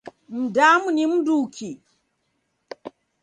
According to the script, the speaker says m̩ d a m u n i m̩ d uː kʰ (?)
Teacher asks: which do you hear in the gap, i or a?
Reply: i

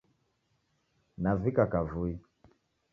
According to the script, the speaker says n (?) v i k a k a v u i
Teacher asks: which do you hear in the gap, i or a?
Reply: a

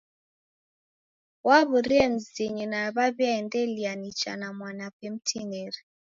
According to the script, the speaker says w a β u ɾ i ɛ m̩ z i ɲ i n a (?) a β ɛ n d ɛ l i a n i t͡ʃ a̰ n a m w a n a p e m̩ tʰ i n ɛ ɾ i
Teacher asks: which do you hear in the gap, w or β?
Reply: β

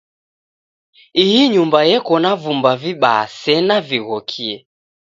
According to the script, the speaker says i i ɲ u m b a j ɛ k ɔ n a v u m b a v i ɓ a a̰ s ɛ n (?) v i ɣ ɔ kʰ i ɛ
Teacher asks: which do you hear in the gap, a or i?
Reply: a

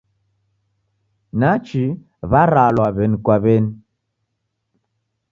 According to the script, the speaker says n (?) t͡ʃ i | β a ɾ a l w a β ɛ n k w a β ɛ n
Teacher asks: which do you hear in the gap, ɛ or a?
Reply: a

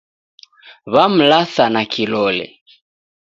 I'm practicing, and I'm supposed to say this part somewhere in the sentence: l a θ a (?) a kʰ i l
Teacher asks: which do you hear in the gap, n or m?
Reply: n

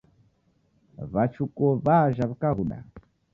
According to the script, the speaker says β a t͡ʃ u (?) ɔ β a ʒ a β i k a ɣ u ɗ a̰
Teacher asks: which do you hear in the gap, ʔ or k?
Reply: k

